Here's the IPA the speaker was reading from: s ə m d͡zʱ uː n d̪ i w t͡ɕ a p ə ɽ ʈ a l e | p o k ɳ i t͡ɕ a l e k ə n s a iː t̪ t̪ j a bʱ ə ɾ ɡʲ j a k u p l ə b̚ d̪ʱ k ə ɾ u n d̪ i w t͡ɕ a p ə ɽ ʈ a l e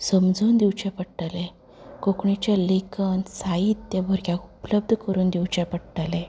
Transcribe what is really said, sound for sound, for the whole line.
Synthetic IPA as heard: s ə m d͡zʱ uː n d̪ i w t͡ɕ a p ə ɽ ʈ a l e | k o k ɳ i t͡ɕ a l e k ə n s a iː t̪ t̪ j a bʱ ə ɾ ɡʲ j a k u p l ə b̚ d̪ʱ k ə ɾ uː n d̪ i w t͡ɕ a p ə ɽ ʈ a l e